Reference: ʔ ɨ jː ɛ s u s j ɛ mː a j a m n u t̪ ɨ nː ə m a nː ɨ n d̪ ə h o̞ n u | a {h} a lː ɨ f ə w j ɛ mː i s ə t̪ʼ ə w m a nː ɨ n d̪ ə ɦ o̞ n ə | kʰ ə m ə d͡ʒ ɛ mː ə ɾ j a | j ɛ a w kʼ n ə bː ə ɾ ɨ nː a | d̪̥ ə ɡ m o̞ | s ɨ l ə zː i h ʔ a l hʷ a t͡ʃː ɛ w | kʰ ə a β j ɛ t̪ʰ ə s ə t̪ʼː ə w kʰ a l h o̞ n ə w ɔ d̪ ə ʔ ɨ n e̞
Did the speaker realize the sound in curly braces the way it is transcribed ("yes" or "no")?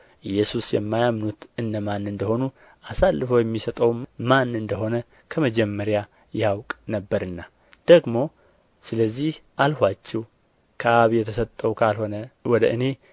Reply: no